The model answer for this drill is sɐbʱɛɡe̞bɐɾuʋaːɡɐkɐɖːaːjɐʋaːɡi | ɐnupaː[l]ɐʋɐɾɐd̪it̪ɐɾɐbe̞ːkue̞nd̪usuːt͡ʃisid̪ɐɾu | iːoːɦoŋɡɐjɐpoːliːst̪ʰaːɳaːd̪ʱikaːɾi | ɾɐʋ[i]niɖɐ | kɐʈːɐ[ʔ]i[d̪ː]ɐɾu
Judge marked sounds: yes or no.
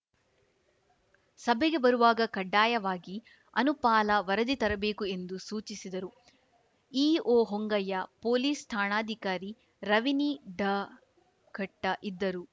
yes, yes, yes, yes

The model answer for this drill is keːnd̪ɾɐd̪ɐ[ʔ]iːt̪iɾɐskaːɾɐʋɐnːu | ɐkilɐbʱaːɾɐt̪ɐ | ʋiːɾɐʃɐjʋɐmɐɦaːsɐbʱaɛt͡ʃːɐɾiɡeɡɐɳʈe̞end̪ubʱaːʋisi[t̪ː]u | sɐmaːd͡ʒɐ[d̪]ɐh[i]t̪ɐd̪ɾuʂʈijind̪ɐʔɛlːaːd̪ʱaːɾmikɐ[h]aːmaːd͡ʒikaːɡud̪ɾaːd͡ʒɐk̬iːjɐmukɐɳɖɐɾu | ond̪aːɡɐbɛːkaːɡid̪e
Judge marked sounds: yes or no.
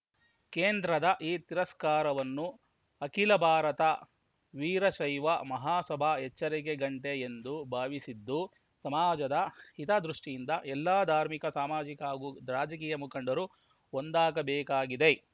yes, no, yes, yes, no

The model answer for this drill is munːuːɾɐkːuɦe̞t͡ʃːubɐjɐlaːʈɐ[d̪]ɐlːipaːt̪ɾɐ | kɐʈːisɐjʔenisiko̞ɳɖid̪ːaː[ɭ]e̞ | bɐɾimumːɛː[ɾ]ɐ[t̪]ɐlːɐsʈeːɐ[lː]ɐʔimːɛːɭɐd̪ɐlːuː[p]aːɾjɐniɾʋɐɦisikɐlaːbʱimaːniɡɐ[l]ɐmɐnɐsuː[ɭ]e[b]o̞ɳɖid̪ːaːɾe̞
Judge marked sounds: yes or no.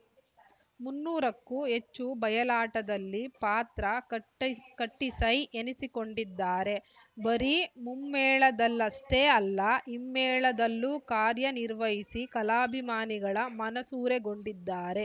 yes, no, no, no, yes, no, no, no, no

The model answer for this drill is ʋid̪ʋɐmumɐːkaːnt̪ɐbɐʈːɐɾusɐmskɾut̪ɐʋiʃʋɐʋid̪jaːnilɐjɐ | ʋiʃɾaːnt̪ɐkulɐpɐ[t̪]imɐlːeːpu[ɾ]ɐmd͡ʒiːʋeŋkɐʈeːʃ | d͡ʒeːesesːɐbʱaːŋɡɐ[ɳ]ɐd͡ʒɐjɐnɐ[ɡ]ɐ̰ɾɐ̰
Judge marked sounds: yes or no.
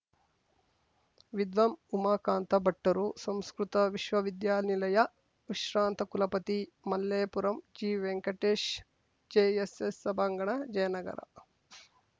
yes, yes, yes, yes

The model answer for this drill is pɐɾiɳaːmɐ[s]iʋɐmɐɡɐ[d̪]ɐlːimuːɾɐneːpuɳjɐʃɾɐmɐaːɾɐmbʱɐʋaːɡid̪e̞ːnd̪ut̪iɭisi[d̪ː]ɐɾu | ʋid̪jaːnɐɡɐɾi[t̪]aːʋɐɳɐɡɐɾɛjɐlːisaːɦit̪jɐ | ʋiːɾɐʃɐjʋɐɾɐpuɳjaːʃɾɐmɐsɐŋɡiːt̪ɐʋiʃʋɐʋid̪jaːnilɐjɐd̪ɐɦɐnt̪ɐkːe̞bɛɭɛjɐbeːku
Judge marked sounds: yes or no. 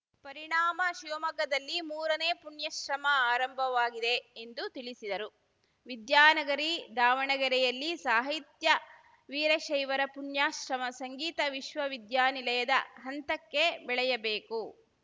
no, yes, no, no

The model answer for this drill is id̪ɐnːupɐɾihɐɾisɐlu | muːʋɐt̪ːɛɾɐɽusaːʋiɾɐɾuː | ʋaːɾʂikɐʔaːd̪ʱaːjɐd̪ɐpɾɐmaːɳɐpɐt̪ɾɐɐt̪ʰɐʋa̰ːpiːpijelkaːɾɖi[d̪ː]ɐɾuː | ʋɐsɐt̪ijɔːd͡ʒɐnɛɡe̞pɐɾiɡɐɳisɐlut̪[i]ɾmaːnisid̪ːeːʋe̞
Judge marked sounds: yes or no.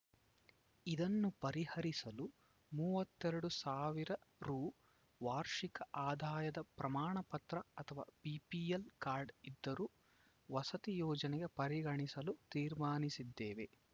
yes, no

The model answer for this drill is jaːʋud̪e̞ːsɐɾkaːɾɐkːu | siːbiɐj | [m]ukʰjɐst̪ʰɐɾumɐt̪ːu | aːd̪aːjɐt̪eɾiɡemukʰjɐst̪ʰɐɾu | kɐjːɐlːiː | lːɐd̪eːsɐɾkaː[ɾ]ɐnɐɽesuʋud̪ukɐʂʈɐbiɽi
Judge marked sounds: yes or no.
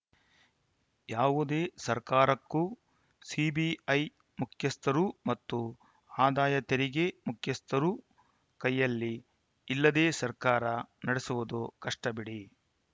yes, yes

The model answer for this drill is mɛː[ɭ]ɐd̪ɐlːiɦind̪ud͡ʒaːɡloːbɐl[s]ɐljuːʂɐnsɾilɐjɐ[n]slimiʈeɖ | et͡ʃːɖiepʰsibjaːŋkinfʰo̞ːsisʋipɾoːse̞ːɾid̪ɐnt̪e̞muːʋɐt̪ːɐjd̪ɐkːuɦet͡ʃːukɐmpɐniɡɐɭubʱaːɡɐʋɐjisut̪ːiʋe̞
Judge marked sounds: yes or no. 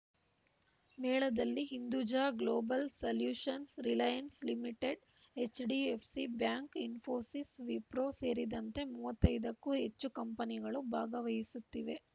yes, yes, yes

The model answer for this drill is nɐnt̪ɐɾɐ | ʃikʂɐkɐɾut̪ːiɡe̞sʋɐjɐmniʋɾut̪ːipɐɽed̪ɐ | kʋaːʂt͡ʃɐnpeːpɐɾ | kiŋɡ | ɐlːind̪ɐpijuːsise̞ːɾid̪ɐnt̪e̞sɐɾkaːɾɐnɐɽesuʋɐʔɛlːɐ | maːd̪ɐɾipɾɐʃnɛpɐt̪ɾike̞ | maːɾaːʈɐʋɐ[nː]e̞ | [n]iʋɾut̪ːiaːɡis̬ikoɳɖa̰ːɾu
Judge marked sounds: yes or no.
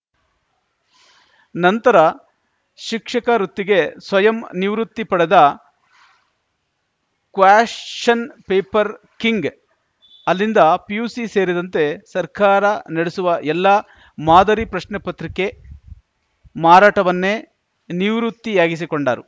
yes, yes

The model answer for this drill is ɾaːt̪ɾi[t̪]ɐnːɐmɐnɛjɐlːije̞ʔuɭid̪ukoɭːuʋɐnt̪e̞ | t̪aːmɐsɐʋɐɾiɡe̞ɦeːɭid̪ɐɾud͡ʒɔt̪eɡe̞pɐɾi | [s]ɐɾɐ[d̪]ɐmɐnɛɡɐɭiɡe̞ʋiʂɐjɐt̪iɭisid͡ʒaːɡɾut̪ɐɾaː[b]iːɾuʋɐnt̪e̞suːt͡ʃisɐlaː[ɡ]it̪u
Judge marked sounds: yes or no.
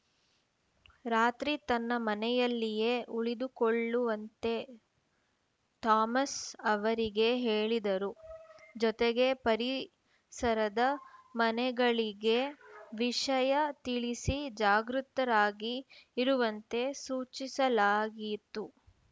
yes, yes, yes, no, yes

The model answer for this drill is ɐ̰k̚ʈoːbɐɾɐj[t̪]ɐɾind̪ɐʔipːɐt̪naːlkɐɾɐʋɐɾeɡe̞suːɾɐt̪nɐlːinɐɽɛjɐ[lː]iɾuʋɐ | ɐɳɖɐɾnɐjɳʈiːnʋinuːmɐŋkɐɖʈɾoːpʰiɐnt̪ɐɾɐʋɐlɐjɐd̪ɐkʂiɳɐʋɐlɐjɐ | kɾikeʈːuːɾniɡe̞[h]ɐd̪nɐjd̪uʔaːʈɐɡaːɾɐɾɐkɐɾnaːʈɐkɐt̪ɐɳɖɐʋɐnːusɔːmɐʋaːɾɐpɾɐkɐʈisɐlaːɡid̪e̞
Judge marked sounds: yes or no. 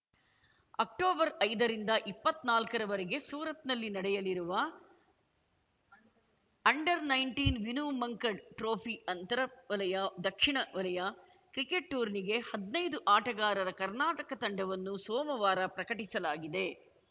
no, no, yes

